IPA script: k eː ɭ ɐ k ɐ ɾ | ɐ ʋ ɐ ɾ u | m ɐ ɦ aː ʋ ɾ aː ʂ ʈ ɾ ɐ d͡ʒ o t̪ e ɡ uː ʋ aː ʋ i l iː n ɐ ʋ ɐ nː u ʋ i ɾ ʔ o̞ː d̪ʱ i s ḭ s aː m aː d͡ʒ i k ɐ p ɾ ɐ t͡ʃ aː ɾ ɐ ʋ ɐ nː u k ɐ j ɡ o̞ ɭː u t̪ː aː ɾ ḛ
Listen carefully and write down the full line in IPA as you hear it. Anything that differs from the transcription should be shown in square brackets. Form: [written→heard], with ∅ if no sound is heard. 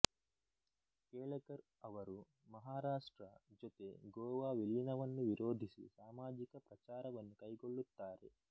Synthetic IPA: k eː ɭ ɐ k ɐ ɾ | ɐ ʋ ɐ ɾ u | m ɐ ɦ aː [ʋ→∅] ɾ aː ʂ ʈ ɾ ɐ d͡ʒ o t̪ e ɡ [uː→ɔː] ʋ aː ʋ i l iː n ɐ ʋ ɐ nː u ʋ i ɾ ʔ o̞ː d̪ʱ i s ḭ s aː m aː d͡ʒ i k ɐ p ɾ ɐ t͡ʃ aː ɾ ɐ ʋ ɐ nː u k ɐ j ɡ o̞ ɭː u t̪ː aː ɾ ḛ

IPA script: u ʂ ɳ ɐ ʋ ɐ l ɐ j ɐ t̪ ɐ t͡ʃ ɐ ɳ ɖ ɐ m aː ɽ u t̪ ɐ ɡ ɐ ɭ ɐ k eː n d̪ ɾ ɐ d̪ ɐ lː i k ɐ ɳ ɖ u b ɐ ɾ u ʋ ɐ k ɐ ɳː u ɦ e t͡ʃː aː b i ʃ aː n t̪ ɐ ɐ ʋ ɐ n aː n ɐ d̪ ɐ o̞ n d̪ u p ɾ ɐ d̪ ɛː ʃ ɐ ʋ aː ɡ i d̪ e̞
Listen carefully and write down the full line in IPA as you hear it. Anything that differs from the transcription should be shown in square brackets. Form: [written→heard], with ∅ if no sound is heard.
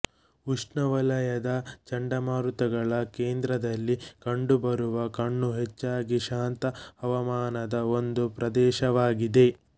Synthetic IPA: u ʂ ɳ ɐ ʋ ɐ l ɐ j ɐ [t̪→d̪] ɐ t͡ʃ ɐ ɳ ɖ ɐ m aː [ɽ→ɾ] u t̪ ɐ ɡ ɐ ɭ ɐ k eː n d̪ ɾ ɐ d̪ ɐ lː i k ɐ ɳ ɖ u b ɐ ɾ u ʋ ɐ k ɐ ɳː u ɦ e t͡ʃː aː [b→ɡ] i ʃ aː n t̪ ɐ ɐ ʋ ɐ [n→m] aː n ɐ d̪ ɐ o̞ n d̪ u p ɾ ɐ d̪ ɛː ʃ ɐ ʋ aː ɡ i d̪ e̞

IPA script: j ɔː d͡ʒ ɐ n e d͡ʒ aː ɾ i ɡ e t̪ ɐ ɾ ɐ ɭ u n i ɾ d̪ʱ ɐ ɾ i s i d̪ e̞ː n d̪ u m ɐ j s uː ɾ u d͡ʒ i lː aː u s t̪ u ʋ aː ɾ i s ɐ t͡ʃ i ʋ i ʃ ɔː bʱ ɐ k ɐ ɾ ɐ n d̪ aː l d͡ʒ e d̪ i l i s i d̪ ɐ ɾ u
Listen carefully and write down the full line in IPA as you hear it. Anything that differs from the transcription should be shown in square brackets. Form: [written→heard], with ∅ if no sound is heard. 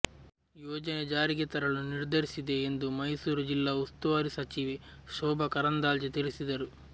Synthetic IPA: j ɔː d͡ʒ ɐ n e d͡ʒ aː ɾ i ɡ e t̪ ɐ ɾ ɐ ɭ u n i ɾ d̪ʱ ɐ ɾ i s i d̪ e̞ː n d̪ u m ɐ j s uː ɾ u d͡ʒ i lː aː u s t̪ u ʋ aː ɾ i s ɐ t͡ʃ i ʋ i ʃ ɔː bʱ ɐ k ɐ ɾ ɐ n d̪ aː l d͡ʒ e [d̪→t̪] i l i s i d̪ ɐ ɾ u

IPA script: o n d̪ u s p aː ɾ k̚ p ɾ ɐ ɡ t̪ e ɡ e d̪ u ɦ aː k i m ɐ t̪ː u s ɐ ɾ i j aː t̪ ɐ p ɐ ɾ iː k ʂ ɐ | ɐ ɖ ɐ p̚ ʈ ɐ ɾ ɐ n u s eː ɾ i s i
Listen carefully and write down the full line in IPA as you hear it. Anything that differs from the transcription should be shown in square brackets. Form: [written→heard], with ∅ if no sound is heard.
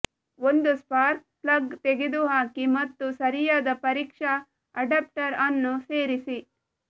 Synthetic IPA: o n d̪ u s p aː ɾ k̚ p [ɾ→l] ɐ ɡ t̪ e ɡ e d̪ u ɦ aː k i m ɐ t̪ː u s ɐ ɾ i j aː [t̪→d̪] ɐ p ɐ ɾ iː k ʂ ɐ | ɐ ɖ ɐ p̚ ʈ ɐ ɾ ɐ [n→nː] u s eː ɾ i s i

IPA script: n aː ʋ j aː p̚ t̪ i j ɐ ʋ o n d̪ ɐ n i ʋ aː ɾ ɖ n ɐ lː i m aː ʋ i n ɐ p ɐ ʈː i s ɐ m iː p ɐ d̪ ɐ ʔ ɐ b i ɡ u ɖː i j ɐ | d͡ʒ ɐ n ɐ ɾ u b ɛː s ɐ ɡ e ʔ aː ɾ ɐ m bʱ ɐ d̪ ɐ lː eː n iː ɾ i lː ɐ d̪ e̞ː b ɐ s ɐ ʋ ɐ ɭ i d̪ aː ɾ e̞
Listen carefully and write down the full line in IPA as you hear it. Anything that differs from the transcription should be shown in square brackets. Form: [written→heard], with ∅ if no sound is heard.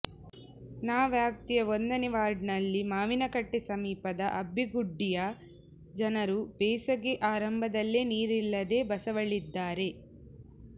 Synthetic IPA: n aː ʋ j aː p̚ t̪ i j ɐ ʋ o n d̪ ɐ n i ʋ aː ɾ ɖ n ɐ lː i m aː ʋ i n ɐ [p→k] ɐ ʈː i s ɐ m iː p ɐ d̪ ɐ ʔ ɐ b i ɡ u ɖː i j ɐ | d͡ʒ ɐ n ɐ ɾ u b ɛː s ɐ ɡ e ʔ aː ɾ ɐ m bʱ ɐ d̪ ɐ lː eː n iː ɾ i lː ɐ d̪ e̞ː b ɐ s ɐ ʋ ɐ ɭ i [d̪→d̪ː] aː ɾ e̞

